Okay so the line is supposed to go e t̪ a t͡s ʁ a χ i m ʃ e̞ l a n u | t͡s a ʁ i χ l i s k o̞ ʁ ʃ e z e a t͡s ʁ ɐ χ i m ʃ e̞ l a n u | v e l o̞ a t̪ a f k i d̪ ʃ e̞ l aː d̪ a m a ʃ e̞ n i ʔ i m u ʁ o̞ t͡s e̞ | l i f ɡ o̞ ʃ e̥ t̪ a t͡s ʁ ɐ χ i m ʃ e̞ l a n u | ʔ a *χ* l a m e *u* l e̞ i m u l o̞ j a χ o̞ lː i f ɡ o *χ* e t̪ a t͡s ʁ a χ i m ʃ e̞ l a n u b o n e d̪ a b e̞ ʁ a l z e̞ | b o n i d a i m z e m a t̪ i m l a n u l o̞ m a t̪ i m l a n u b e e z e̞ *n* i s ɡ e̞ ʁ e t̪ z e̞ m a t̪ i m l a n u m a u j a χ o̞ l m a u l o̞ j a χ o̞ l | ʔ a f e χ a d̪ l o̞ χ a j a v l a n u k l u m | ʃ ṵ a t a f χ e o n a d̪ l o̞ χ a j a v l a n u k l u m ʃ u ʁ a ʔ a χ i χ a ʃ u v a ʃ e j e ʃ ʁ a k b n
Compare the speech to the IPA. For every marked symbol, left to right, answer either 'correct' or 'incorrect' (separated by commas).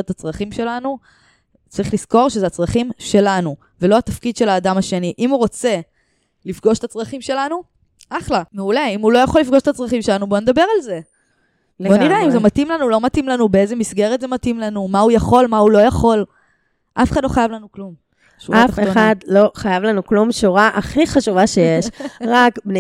correct, correct, incorrect, incorrect